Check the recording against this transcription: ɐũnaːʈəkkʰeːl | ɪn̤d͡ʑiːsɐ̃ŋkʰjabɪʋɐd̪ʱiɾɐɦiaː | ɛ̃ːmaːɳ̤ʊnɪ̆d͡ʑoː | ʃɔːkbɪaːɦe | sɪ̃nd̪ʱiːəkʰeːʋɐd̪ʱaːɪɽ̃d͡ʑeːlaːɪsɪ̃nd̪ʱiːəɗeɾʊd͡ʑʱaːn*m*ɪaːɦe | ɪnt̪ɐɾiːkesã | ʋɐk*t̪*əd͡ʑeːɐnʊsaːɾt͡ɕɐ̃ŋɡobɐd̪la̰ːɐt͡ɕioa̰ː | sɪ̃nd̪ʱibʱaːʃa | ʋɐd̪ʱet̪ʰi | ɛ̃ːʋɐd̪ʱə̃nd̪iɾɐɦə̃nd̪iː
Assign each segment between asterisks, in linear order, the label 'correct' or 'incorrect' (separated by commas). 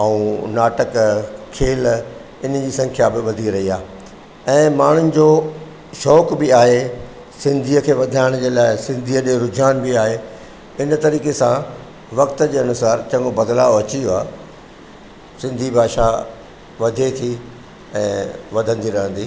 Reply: incorrect, correct